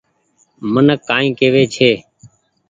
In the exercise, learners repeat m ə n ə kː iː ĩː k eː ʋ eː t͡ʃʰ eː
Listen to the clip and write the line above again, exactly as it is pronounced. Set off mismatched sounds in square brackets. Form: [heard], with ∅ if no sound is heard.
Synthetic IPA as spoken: m ə n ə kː [aː] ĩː k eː ʋ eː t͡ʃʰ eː